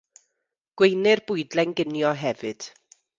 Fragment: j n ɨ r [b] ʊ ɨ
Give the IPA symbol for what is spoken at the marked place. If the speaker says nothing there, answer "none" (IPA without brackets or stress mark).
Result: b